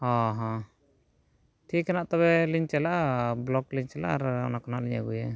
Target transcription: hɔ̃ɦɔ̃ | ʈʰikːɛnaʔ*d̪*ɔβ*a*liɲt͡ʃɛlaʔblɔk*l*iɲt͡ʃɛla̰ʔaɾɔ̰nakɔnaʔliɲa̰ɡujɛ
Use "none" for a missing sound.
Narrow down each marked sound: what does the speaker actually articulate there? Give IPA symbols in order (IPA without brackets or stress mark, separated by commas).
t̪, ɛ, l